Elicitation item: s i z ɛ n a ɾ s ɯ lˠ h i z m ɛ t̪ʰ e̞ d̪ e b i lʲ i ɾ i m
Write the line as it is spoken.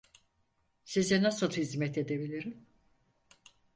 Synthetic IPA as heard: s i z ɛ n a s ɯ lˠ h i z m ɛ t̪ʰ e̞ d̪ e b i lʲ i ɾ i m